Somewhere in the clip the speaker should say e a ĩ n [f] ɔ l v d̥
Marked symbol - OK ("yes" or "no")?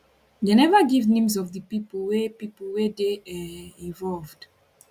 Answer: no